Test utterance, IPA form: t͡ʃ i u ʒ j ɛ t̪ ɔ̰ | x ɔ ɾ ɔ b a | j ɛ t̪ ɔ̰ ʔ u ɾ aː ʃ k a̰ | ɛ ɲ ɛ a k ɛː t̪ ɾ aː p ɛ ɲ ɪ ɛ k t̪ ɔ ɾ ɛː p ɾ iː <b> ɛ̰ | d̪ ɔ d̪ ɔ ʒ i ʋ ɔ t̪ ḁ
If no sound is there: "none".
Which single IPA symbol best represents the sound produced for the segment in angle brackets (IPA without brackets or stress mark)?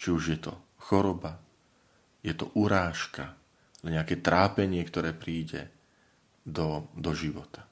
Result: ɟ